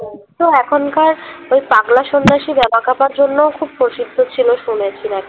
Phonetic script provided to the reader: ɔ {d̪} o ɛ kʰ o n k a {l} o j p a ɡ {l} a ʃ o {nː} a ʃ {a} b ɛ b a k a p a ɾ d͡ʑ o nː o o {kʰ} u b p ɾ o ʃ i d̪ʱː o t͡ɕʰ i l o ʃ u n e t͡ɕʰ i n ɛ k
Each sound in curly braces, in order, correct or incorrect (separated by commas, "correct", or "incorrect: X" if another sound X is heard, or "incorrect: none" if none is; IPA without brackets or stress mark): incorrect: t̪, incorrect: ɾ, correct, correct, incorrect: i, correct